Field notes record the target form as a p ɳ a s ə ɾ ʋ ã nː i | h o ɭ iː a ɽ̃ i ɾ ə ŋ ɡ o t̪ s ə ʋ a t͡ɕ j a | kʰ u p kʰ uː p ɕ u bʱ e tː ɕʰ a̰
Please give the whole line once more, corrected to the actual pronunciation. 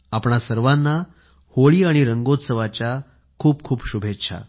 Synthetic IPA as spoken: a p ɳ a s ə ɾ ʋ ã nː a | h o ɭ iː a ɽ̃ i ɾ ə ŋ ɡ o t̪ s ə ʋ a t͡ɕ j a | kʰ uː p kʰ uː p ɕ u bʱ e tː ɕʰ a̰

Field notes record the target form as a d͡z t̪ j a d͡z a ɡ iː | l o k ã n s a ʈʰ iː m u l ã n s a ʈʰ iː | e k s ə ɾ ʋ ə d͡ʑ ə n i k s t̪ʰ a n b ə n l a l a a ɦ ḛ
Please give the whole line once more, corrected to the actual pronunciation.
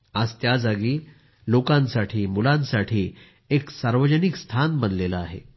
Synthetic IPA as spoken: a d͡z t̪ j a d͡z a ɡ iː | l o k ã n s a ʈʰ iː m u l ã n s a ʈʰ iː | e k s a ɾ ʋ ə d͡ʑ ə n i k s t̪ʰ a n b ə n l e l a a ɦ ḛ

